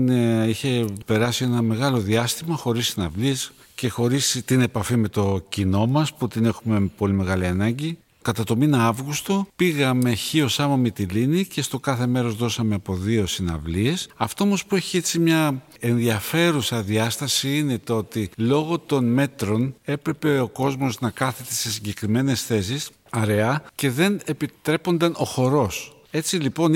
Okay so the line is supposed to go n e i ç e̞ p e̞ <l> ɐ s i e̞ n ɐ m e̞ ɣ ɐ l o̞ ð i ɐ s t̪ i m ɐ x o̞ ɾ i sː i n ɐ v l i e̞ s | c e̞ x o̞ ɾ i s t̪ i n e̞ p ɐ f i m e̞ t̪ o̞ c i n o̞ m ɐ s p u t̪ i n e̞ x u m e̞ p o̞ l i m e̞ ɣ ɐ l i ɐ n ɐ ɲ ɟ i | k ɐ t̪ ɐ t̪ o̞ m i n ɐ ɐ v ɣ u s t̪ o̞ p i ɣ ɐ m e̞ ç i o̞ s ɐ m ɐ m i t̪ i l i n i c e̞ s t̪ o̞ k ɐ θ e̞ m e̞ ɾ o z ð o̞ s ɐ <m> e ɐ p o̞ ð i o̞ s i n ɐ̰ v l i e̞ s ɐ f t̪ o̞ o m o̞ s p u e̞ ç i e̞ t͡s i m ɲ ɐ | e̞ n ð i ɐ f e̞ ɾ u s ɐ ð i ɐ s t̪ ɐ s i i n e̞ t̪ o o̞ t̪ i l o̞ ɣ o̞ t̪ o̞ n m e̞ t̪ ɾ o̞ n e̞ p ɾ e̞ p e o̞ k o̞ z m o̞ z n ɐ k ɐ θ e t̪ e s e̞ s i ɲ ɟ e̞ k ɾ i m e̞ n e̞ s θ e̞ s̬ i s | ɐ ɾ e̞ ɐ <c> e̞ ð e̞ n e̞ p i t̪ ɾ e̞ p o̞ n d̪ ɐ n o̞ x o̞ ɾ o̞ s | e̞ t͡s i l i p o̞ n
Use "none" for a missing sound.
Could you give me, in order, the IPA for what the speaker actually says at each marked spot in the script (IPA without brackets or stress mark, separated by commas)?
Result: ɾ, m, c